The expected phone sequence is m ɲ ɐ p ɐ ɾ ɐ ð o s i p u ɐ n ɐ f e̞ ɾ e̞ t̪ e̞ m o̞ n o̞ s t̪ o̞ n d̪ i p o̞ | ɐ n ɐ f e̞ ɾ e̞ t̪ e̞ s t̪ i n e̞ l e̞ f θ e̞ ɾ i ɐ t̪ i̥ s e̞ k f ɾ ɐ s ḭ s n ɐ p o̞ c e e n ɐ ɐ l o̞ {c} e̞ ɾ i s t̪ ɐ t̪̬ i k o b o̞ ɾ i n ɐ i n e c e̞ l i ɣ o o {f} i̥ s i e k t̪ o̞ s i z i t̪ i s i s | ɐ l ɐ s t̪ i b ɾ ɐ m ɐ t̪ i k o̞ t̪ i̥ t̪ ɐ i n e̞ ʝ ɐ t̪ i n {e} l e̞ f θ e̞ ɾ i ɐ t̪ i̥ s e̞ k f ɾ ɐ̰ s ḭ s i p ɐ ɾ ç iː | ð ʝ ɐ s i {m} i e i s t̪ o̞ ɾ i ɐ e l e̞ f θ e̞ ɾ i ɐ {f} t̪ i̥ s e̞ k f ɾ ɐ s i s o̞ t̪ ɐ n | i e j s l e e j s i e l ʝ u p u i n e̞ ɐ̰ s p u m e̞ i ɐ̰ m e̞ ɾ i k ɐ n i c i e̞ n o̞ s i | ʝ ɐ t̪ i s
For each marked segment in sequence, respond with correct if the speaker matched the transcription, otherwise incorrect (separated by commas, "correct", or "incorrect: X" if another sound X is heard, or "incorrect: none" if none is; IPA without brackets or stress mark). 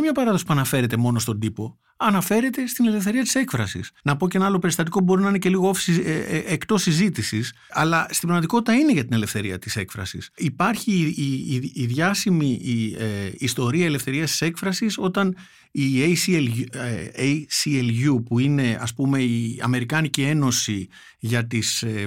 incorrect: p, correct, correct, correct, incorrect: s